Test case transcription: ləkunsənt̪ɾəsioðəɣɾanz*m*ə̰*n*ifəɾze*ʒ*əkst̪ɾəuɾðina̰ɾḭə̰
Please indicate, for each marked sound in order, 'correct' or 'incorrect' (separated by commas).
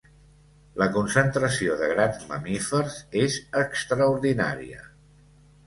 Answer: correct, incorrect, incorrect